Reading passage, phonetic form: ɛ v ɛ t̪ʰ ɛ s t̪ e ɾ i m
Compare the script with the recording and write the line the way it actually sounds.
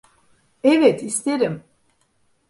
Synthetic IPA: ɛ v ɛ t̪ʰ i s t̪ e ɾ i m